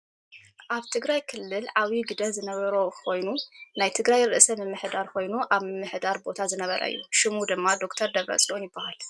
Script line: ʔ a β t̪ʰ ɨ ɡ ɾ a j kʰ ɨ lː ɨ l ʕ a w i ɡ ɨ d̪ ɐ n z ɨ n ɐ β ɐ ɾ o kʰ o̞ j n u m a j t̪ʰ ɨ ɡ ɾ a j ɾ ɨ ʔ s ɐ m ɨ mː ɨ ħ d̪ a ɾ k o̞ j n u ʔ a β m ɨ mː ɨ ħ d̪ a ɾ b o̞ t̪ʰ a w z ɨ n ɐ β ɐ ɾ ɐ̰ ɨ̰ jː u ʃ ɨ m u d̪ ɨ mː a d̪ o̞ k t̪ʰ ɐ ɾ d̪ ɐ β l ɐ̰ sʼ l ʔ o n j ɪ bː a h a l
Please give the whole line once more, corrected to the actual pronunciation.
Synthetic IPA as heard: ʔ a β t̪ʰ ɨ ɡ ɾ a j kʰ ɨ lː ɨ l ʕ a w i ɡ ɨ d̪ ɐ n z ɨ n ɐ β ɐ ɾ o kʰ o̞ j n u n a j t̪ʰ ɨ ɡ ɾ a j ɾ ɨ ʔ s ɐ m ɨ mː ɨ ħ d̪ a ɾ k o̞ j n u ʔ a β m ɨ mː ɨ ħ d̪ a ɾ b o̞ t̪ʰ a z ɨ n ɐ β ɐ ɾ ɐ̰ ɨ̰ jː u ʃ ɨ m u d̪ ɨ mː a d̪ o̞ k t̪ʰ ɐ ɾ d̪ ɐ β ɾ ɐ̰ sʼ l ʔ o n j ɪ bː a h a l